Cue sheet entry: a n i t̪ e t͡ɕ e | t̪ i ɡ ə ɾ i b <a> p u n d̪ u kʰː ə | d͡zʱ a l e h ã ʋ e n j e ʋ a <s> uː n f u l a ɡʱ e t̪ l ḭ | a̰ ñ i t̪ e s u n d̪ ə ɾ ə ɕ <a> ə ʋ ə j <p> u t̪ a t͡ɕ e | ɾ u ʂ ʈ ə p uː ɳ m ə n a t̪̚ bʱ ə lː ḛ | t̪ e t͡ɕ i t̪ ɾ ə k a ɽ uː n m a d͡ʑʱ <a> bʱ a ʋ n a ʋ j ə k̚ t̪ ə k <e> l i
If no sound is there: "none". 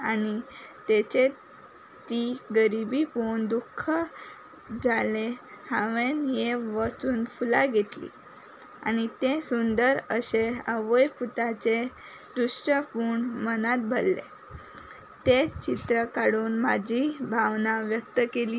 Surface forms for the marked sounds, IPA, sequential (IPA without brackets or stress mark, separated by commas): i, t͡s, e, p, i, e